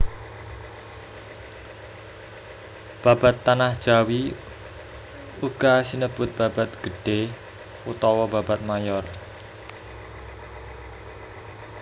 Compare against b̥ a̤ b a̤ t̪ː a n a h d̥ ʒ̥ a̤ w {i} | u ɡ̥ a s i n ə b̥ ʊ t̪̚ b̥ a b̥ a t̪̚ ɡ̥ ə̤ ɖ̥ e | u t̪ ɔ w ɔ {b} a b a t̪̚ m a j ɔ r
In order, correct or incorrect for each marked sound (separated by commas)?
correct, correct